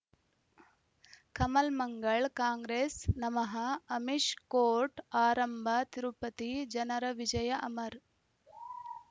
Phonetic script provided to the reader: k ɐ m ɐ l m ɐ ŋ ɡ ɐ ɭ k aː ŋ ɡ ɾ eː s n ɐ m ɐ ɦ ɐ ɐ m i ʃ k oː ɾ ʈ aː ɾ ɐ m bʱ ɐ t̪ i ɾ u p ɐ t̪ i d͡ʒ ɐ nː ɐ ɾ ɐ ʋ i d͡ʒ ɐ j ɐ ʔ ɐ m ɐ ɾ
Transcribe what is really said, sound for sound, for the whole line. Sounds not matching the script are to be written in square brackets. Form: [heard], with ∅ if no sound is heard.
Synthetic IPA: k ɐ m ɐ l m ɐ ŋ ɡ ɐ ɭ k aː ŋ ɡ ɾ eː s n ɐ m ɐ ɦ ɐ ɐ m i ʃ k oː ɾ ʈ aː ɾ ɐ m bʱ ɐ t̪ i ɾ u p ɐ t̪ i d͡ʒ ɐ [n] ɐ ɾ ɐ ʋ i d͡ʒ ɐ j ɐ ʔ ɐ m ɐ ɾ